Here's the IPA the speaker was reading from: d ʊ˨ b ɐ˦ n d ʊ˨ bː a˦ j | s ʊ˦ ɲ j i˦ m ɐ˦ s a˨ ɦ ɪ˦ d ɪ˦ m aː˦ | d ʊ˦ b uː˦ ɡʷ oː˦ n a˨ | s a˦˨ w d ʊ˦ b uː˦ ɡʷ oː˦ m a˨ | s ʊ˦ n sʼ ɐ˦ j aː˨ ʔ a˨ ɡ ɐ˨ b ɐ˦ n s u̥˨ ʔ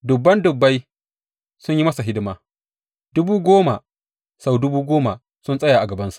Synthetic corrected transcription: d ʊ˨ bː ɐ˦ n d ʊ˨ bː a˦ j | s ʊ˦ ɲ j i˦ m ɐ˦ s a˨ ɦ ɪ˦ d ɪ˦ m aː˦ | d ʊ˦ b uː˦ ɡʷ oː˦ m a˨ | s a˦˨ w d ʊ˦ b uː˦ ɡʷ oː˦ m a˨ | s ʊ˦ n sʼ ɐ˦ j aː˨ ʔ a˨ ɡ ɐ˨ b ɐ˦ n s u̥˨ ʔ